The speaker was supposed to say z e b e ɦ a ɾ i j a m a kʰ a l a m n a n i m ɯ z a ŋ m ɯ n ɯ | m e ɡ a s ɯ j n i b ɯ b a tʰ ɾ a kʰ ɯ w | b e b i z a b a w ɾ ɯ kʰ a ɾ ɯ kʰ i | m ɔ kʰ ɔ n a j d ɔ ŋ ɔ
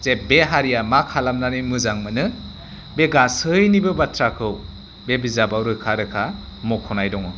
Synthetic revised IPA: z e b e ɦ a ɾ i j a m a kʰ a l a m n a n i m ɯ z a ŋ m ɯ n ɯ | b e ɡ a s ɯ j n i b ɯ b a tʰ ɾ a kʰ ɯ w | b e b i z a b a w ɾ ɯ kʰ a ɾ ɯ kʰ a | m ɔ kʰ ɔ n a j d ɔ ŋ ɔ